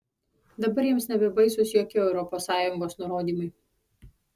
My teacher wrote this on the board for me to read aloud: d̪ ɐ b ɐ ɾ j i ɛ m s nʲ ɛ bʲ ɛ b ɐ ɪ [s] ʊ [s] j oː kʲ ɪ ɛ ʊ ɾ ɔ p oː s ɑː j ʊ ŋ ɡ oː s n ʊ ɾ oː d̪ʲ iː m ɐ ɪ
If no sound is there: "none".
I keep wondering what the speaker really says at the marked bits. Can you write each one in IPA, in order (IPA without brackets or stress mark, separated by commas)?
s, s